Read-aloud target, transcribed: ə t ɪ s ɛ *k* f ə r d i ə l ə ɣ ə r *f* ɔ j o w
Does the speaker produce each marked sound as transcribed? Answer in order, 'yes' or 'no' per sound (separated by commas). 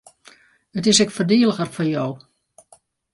yes, yes